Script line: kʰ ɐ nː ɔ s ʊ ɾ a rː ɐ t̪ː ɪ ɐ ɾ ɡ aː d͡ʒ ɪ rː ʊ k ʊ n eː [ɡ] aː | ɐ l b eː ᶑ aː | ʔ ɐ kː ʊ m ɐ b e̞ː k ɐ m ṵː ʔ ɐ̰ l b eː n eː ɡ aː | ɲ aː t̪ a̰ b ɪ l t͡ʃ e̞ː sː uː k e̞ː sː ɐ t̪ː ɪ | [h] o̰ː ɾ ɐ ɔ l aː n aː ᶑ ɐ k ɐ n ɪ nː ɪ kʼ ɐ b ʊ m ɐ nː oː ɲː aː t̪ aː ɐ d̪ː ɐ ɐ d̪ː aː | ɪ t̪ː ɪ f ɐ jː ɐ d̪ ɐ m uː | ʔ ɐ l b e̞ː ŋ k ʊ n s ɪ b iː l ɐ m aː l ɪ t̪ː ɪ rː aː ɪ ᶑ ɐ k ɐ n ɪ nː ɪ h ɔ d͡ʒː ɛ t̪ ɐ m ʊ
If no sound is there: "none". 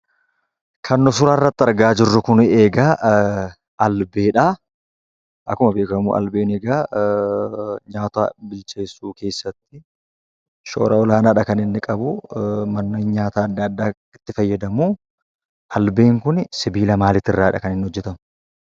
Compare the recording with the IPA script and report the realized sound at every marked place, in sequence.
ɡ, ʃ

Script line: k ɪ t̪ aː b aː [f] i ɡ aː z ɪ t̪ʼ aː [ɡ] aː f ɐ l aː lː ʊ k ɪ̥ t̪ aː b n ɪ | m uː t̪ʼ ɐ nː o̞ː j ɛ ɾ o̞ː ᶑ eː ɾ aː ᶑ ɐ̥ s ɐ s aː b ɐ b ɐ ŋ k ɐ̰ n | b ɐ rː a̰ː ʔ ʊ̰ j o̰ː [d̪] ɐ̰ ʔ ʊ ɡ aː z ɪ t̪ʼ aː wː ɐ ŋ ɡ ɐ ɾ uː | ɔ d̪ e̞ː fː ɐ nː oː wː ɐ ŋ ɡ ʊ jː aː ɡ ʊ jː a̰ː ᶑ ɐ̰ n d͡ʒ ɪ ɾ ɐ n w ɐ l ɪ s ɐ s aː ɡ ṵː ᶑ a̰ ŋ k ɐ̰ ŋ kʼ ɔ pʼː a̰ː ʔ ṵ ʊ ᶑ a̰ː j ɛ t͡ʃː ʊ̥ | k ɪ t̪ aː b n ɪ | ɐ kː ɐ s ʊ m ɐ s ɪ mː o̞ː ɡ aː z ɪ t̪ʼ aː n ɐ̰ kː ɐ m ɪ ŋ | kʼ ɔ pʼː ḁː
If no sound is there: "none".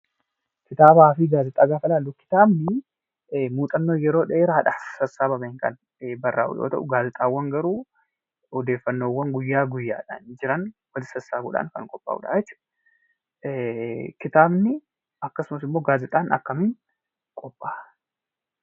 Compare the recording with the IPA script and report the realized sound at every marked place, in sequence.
f, ɡ, t̪

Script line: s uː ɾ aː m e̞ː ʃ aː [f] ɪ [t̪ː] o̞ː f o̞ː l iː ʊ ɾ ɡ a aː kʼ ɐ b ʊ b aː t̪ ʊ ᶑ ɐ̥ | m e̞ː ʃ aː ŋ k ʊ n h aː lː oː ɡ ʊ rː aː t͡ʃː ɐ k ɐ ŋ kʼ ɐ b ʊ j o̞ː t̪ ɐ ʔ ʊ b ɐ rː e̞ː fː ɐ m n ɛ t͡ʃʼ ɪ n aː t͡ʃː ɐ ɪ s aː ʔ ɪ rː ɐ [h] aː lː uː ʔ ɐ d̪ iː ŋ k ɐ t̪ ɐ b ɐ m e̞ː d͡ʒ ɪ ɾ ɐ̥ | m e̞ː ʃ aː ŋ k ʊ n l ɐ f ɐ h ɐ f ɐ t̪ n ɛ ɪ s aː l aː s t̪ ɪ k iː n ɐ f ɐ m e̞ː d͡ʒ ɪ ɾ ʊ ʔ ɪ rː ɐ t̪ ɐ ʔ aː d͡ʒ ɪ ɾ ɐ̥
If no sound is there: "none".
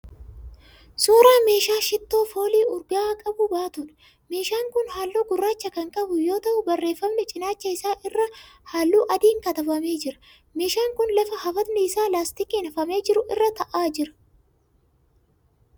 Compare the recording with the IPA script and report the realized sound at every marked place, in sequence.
ʃ, t̪ː, h

